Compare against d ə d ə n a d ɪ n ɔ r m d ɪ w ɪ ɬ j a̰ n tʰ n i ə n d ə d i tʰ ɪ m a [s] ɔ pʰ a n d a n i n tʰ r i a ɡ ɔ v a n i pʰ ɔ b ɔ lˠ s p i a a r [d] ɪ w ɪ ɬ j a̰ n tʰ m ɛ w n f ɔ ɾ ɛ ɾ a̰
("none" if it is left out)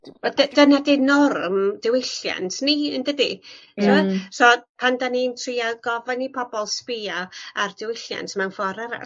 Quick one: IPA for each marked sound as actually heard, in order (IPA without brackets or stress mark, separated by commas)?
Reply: s, d